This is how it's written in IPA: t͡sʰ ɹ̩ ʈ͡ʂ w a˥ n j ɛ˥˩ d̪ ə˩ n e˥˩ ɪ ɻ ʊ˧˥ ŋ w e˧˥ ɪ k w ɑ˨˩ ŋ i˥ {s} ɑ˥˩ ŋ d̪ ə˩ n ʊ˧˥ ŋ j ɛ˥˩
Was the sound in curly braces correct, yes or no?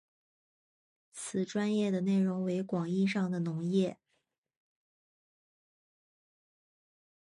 no